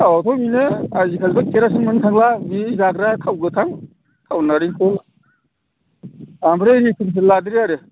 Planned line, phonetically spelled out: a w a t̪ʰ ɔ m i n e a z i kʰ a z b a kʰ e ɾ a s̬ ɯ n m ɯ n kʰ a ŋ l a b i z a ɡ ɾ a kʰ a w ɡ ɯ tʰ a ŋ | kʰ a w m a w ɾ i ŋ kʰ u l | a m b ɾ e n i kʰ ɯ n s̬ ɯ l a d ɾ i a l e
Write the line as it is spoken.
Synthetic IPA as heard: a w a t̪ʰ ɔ m i n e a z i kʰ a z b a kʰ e ɾ a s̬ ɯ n m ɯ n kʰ a ŋ l a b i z a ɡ ɾ a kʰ a w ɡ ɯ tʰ a ŋ | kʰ a w n a ɾ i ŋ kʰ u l | a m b ɾ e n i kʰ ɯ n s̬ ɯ l a d ɾ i a ɾ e